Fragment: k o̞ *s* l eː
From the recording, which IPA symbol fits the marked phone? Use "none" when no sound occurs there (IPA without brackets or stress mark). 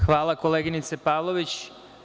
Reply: none